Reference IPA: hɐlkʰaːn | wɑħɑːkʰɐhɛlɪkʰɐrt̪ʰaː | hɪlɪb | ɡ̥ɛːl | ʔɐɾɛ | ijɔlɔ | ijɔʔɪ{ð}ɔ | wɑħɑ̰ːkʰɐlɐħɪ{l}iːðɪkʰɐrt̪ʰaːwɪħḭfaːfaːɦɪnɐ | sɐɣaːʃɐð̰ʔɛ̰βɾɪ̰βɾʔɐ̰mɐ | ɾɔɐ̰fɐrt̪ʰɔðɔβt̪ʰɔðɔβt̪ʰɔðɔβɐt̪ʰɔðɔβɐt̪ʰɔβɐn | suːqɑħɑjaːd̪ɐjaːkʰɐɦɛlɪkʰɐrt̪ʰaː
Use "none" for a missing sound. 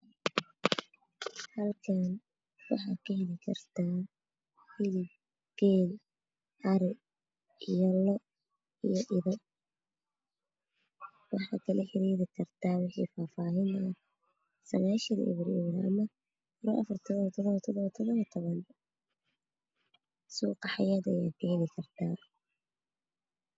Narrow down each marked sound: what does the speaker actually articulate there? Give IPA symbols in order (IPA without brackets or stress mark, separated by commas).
ð, ɾ